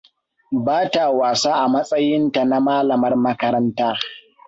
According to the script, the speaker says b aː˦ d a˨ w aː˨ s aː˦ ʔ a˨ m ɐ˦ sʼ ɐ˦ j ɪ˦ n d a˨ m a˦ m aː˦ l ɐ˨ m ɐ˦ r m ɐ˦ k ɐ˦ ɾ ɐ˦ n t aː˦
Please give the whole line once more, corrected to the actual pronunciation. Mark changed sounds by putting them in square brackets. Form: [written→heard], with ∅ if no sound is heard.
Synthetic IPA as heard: b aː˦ [d→t] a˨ w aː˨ s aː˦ ʔ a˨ m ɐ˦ sʼ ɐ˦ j ɪ˦ n [d→t] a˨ [m→n] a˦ m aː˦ l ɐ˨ m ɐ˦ r m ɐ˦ k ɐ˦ ɾ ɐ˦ n t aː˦